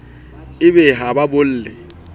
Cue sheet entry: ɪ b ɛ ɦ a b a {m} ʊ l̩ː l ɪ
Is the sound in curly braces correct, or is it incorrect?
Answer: incorrect